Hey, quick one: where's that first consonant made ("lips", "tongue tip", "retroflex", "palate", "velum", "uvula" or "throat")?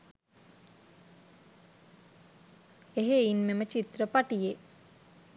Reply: throat